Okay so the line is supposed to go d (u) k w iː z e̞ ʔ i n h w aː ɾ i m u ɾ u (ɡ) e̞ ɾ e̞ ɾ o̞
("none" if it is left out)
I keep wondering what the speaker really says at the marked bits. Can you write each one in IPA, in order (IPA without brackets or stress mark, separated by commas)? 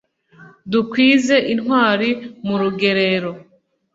u, ɡ